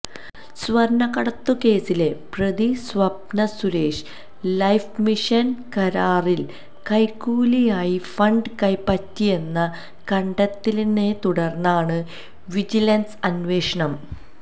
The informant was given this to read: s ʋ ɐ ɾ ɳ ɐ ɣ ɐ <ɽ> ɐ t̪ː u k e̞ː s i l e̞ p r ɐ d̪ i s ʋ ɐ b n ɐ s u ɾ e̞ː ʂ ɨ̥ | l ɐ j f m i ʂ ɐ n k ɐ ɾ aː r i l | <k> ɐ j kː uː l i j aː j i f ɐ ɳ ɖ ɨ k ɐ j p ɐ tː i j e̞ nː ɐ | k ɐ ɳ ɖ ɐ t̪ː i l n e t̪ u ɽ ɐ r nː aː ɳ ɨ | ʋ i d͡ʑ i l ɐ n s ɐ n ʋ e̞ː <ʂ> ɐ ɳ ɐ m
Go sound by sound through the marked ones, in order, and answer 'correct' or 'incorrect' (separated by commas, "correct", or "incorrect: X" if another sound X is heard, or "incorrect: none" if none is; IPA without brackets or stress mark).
correct, correct, correct